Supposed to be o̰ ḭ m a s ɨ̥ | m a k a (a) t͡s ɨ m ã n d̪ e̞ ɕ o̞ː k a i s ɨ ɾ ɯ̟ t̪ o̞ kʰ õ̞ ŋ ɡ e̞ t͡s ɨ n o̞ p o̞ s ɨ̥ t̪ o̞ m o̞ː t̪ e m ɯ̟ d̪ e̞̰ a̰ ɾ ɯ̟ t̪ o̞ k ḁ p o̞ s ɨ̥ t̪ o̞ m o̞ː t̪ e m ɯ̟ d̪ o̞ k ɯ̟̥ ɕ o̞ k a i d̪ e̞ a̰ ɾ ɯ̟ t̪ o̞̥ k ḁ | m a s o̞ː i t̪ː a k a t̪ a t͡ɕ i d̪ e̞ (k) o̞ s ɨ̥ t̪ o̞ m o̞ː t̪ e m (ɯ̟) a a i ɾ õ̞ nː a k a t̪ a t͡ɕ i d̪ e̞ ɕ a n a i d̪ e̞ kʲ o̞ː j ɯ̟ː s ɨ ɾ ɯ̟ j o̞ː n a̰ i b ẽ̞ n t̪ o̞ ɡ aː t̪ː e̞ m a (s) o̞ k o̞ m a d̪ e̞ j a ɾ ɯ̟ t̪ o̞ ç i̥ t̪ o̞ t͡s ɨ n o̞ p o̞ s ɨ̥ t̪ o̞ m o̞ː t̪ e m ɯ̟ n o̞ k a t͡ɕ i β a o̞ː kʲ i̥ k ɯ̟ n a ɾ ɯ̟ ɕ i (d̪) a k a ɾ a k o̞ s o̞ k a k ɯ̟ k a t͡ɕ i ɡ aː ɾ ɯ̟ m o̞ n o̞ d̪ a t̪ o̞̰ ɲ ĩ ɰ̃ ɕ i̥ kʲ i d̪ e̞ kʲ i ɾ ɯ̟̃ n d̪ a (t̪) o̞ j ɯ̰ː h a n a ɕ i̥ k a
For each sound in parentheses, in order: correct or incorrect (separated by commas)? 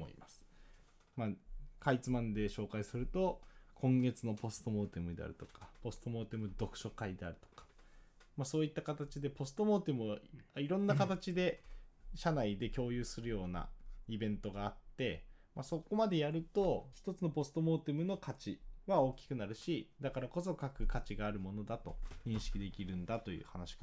incorrect, incorrect, correct, correct, correct, correct